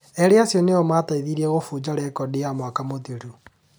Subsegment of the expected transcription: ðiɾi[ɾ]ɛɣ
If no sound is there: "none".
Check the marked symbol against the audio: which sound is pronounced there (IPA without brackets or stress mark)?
none